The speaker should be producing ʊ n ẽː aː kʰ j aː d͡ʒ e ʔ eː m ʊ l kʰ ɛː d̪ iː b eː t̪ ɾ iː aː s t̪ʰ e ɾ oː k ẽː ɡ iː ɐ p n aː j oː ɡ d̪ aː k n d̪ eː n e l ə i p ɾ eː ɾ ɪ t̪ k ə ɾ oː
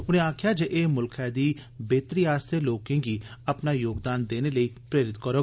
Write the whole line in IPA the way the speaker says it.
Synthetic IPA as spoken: ʊ n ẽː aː kʰ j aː d͡ʒ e ʔ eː m ʊ l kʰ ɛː d̪ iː b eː t̪ ɾ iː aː s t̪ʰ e l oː k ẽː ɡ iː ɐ p n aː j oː ɡ d̪ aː n d̪ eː n e l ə i p ɾ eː ɾ ɪ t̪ k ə ɾ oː

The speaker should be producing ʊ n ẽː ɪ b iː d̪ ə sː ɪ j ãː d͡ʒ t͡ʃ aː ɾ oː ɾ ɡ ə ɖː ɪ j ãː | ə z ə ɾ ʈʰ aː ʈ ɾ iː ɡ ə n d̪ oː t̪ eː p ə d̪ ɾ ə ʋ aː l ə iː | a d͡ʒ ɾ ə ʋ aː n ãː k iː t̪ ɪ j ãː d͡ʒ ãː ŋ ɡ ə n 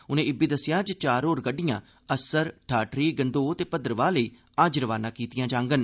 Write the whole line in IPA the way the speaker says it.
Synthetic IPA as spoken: ʊ n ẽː ɪ b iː d̪ ə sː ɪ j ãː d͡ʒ t͡ʃ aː ɾ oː ɾ ɡ ə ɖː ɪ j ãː | ə s ə ɾ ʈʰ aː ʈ ɾ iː ɡ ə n d̪ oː t̪ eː p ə d̪ ɾ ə ʋ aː l ə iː | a d͡ʒ ɾ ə ʋ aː n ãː k iː t̪ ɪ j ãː d͡ʒ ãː ŋ ɡ ə n

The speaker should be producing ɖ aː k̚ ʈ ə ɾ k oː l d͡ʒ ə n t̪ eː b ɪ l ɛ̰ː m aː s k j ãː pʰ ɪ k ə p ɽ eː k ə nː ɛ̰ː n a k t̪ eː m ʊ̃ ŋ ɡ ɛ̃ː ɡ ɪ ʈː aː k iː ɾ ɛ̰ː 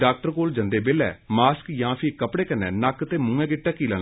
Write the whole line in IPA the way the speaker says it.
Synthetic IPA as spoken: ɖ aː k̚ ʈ ə ɾ k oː l d͡ʒ ə n d̪ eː b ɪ l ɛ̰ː m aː s k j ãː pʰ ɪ k ə p ɽ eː k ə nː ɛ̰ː n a k t̪ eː m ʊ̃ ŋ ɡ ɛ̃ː ɡ ɪ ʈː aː k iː l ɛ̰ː

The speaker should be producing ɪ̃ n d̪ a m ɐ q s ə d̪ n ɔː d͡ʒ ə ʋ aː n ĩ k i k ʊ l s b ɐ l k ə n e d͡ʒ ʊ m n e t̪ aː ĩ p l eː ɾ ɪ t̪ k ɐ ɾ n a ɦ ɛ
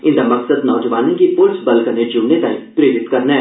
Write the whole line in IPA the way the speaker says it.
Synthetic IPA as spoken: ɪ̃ n d̪ a m ɐ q s ə d̪ n ɔː d͡ʒ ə ʋ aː n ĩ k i p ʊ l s b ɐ l k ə n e d͡ʒ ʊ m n e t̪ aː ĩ p ɾ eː ɾ ɪ t̪ k ɐ ɾ n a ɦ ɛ

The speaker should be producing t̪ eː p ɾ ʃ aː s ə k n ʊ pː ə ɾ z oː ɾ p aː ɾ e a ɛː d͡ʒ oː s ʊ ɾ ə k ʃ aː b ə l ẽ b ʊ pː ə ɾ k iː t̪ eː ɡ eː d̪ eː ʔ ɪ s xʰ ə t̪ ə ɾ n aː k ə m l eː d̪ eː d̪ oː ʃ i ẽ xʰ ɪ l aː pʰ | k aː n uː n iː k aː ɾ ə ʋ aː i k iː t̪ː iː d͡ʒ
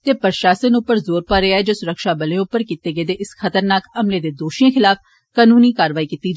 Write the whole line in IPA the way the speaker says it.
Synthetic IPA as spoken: t̪ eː p ɾ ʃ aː s ə n ʊ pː ə ɾ z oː ɾ p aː ɾ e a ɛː d͡ʒ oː s ʊ ɾ ə k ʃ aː b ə l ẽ ʊ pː ə ɾ k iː t̪ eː ɡ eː d̪ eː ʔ ɪ s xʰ ə t̪ ə ɾ n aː k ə m l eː d̪ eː d̪ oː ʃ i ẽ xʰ ɪ l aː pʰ | k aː n uː n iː k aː ɾ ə ʋ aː i k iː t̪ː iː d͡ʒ

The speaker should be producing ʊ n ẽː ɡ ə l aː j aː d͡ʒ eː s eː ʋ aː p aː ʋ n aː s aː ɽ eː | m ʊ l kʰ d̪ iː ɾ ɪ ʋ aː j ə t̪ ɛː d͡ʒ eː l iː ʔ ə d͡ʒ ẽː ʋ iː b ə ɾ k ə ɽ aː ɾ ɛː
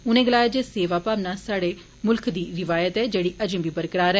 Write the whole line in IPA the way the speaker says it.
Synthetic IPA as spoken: ʊ n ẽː ɡ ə l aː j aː d͡ʒ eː s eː ʋ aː p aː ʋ n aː s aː ɽ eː | m ʊ l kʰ d̪ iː ɾ ɪ ʋ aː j ə t̪ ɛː d͡ʒ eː ɽ iː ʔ ə d͡ʒ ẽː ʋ iː b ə ɾ k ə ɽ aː ɾ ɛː

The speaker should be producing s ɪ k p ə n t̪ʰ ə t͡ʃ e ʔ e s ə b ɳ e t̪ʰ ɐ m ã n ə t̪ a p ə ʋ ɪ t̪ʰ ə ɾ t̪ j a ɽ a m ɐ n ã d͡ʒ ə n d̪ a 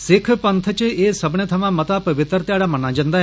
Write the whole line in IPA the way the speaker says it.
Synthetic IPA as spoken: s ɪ kʰ p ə n t̪ʰ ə t͡ʃ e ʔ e s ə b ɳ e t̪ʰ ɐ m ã m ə t̪ a p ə ʋ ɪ t̪ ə ɾ t̪ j a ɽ a m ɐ n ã d͡ʒ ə n d̪ a

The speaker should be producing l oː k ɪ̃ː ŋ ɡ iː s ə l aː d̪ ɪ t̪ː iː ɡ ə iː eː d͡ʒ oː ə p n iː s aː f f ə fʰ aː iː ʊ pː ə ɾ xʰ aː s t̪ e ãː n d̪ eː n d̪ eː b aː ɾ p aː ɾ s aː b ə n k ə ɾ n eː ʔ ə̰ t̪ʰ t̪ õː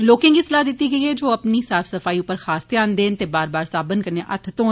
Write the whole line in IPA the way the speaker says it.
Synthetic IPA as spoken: l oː k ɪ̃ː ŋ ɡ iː s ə l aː d̪ ɪ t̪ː iː ɡ ə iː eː d͡ʒ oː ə p n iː s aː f s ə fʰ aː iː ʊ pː ə ɾ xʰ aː s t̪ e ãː n d̪ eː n t̪ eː b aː ɾ b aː ɾ s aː b ə n k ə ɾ n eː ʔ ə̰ t̪ʰ t̪ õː

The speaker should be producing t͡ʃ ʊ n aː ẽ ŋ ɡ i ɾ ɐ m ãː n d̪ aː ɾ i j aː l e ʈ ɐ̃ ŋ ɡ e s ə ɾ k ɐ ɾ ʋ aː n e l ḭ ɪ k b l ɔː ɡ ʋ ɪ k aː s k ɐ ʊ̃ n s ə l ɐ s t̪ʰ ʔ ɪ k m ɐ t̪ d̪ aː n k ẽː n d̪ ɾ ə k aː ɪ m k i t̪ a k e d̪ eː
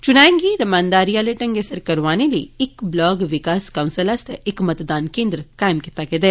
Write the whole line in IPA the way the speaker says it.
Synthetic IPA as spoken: t͡ʃ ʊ n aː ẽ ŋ ɡ i ɾ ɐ m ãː n d̪ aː ɾ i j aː l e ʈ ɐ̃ ŋ ɡ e s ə ɾ k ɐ ɾ ʋ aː n e l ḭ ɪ k b l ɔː ɡ ʋ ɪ k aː s k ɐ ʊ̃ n s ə l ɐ s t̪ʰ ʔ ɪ k m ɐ t̪ d̪ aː n k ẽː n d̪ ɾ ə k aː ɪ m k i t̪ a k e d̪ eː

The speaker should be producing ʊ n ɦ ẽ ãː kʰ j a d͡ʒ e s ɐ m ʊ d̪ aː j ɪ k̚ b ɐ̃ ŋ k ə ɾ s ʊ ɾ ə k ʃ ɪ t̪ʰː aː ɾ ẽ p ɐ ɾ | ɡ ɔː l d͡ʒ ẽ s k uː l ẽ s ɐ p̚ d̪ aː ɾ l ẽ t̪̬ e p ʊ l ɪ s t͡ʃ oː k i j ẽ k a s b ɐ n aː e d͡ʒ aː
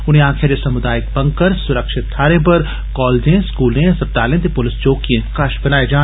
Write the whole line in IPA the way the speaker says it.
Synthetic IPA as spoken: ʊ n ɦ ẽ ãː kʰ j a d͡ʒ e s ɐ m ʊ d̪ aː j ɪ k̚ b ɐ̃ ŋ k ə ɾ s ʊ ɾ ə k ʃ ɪ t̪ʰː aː ɾ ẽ p ɐ ɾ | k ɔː l d͡ʒ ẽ s k uː l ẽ s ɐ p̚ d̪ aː l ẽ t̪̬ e p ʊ l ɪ s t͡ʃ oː k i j ẽ k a ʃ b ɐ n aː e d͡ʒ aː

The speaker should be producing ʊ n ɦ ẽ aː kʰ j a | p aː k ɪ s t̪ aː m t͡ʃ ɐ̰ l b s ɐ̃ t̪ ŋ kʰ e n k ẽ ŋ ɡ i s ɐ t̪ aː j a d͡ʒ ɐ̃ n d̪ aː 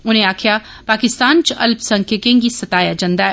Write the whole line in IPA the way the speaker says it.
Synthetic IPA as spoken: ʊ n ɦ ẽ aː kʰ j a | p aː k ɪ s t̪ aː n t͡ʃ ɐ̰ l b s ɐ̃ ŋ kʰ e k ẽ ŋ ɡ i s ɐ t̪ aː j a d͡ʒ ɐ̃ n d̪ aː

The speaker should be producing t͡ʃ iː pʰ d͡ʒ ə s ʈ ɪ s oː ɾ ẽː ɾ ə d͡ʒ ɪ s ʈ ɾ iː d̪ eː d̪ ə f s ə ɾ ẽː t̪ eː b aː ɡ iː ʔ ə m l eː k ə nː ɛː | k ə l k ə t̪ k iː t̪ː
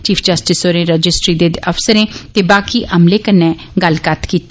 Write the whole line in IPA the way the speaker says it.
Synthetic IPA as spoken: t͡ʃ iː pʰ d͡ʒ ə s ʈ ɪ s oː ɾ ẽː ɾ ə d͡ʒ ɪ s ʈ ɾ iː d̪ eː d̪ ə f s ə ɾ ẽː t̪ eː b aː k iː ʔ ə m l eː k ə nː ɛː | ɡ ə l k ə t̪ k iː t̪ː

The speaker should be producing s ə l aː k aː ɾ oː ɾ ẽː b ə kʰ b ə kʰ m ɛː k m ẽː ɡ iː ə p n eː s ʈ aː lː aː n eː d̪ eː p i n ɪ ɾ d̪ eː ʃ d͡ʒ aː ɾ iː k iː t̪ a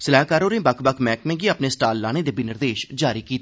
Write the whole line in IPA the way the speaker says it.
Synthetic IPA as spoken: s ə l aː k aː ɾ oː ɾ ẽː b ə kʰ b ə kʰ m ɛː k m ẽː ɡ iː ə p n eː s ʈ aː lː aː n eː d̪ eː b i n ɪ ɾ d̪ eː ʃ d͡ʒ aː ɾ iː k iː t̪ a

